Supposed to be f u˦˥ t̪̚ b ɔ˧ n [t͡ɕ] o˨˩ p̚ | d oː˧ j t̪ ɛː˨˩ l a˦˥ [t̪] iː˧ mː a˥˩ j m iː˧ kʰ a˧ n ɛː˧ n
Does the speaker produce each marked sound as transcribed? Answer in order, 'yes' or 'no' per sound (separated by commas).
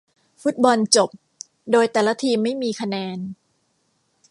yes, no